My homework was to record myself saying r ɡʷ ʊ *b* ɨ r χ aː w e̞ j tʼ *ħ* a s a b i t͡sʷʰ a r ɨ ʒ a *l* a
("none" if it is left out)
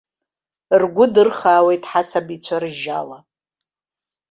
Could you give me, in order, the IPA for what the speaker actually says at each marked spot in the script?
d, ħ, l

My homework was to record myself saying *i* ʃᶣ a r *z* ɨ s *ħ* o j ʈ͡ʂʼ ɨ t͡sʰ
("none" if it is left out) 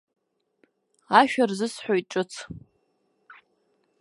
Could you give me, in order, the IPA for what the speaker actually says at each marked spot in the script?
a, z, ħ

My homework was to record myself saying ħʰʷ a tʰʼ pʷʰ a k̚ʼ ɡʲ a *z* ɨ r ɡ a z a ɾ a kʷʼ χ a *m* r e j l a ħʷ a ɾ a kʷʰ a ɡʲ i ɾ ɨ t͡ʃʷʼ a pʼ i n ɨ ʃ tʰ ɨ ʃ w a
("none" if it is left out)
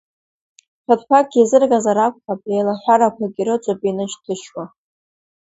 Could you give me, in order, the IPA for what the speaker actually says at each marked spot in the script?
z, b

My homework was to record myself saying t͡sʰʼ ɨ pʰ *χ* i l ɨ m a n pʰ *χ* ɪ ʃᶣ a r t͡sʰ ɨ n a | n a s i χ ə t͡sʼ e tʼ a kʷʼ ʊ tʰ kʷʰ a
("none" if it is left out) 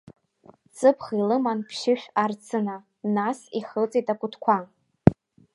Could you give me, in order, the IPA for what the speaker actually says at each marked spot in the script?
χ, ʃ

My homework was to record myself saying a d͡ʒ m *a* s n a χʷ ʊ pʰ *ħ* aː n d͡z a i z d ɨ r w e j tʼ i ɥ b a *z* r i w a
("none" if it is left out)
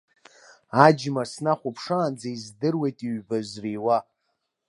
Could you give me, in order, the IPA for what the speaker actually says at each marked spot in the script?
a, ʂ, z

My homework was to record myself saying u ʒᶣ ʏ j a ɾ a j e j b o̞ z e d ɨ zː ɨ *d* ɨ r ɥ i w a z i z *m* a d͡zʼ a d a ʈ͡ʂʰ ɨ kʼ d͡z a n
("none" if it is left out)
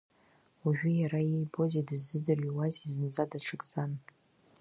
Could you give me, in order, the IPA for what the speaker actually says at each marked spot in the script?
d, n

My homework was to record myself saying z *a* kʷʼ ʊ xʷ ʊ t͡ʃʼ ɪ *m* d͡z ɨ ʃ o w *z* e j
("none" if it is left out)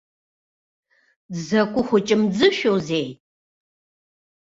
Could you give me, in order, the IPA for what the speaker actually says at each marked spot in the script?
ɐ, m, z

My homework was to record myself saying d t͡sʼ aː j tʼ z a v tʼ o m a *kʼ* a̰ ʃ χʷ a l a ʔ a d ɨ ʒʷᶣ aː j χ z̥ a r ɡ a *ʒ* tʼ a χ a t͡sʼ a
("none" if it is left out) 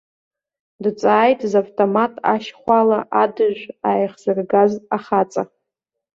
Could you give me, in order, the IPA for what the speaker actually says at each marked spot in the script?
tʼ, z

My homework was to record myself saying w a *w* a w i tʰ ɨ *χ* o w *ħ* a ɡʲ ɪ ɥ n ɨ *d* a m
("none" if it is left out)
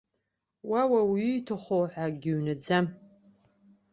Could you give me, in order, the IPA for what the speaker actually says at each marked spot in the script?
w, χ, ħ, d͡z

